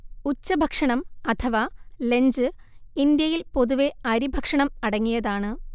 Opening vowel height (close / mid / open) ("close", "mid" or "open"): close